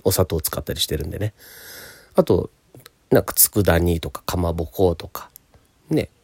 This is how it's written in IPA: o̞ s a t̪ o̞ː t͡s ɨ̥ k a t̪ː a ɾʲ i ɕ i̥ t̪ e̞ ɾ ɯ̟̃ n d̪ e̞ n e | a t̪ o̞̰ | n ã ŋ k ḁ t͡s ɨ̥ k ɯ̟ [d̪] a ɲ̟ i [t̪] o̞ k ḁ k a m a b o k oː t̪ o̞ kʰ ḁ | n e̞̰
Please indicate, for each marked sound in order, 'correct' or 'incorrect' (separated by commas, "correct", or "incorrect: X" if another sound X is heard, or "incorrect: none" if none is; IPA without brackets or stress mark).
correct, correct